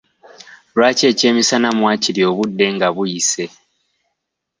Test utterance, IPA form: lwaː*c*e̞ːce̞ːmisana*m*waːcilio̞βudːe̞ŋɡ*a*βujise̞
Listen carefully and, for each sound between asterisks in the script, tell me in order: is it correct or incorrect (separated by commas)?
correct, correct, correct